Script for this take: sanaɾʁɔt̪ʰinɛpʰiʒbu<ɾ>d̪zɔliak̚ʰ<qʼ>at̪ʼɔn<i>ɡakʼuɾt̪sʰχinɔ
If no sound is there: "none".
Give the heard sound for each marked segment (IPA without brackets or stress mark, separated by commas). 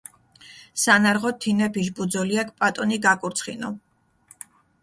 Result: none, pʼ, i